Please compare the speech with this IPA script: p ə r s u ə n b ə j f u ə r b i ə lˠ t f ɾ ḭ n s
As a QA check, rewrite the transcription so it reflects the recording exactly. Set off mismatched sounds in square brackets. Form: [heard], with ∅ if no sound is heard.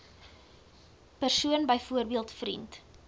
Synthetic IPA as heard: p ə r s u ə n b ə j f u ə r b i ə lˠ t f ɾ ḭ n [t]